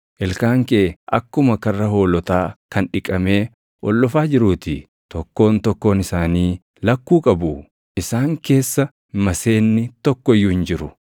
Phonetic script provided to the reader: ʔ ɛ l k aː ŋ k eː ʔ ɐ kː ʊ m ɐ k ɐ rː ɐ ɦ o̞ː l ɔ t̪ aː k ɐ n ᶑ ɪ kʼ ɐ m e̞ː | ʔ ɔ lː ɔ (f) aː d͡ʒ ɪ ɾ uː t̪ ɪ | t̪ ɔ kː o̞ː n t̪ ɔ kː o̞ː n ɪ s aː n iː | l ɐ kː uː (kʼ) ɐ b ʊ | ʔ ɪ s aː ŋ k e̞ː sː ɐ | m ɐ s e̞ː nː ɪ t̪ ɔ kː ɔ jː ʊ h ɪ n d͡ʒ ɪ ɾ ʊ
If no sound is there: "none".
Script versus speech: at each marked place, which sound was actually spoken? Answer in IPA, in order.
f, kʼ

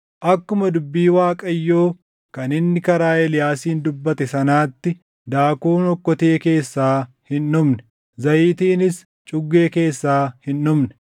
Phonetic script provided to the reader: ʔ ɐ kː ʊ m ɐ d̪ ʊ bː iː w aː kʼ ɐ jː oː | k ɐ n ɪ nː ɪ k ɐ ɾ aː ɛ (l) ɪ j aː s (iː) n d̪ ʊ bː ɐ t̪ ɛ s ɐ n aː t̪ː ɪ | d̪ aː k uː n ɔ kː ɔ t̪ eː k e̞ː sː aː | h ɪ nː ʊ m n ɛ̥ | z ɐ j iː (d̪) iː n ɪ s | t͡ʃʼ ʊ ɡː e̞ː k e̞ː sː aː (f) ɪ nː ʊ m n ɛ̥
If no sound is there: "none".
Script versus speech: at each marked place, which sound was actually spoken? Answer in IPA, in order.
l, iː, t̪, h

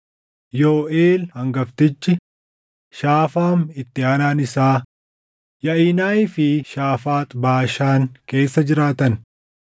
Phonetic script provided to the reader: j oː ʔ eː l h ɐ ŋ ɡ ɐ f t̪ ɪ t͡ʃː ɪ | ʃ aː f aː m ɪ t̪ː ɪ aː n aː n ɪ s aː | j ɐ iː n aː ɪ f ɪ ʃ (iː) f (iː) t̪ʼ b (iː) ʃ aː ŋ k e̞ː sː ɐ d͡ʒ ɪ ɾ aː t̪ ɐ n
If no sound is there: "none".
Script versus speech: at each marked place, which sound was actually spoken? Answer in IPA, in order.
aː, aː, aː

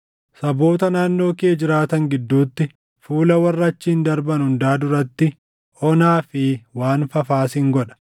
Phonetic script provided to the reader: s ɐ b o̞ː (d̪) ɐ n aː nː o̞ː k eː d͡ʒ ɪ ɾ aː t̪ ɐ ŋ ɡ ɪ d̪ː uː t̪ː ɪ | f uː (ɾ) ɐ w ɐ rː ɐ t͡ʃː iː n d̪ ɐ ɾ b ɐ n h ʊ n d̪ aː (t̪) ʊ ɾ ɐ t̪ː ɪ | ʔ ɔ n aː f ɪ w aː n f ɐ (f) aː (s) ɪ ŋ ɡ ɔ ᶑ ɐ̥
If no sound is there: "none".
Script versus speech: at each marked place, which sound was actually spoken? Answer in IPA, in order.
t̪, l, d̪, f, s

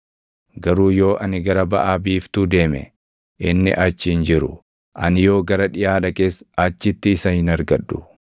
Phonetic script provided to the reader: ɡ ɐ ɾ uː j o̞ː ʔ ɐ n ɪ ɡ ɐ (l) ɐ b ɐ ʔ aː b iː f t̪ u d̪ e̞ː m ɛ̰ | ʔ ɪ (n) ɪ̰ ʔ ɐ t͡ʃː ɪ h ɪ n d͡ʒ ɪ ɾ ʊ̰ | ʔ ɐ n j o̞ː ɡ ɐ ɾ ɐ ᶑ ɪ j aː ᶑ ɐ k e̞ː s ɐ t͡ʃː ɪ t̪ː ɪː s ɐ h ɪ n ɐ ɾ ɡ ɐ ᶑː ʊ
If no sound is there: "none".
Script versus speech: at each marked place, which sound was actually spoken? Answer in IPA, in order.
ɾ, nː

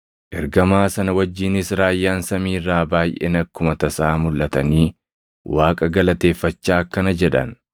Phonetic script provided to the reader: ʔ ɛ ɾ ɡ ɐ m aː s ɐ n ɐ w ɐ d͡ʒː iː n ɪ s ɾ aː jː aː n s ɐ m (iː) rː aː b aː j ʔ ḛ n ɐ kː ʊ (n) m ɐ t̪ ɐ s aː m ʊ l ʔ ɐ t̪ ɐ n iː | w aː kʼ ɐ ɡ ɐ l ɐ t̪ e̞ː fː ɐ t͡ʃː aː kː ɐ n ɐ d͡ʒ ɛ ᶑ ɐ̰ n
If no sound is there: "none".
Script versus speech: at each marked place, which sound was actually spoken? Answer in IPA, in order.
iː, none

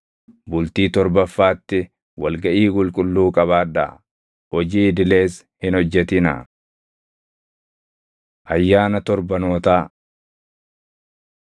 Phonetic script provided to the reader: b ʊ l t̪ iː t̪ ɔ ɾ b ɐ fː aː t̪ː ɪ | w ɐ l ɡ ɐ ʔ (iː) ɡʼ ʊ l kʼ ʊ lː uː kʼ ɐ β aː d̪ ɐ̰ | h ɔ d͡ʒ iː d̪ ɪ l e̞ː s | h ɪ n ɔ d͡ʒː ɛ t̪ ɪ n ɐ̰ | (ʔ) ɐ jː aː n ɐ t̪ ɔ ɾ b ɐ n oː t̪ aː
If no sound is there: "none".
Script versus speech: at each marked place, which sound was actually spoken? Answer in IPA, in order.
iː, ʔ

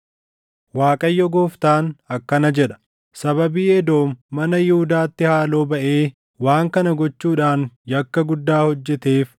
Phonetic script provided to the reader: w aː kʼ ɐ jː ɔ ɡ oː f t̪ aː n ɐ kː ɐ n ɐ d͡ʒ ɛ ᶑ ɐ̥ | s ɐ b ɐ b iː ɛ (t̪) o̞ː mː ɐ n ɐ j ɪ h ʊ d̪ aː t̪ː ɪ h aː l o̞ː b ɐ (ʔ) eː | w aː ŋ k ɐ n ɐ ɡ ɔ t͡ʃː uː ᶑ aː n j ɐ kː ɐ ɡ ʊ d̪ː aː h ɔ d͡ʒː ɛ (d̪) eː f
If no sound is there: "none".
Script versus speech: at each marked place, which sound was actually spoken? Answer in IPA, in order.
d̪, ʔ, t̪

